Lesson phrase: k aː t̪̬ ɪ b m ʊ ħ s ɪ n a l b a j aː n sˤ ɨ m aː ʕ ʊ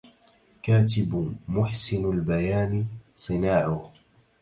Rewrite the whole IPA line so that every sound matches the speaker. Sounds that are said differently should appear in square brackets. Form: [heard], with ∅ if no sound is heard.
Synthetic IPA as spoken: k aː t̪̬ ɪ b m ʊ ħ s ɪ n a l b a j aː n sˤ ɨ [n] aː ʕ ʊ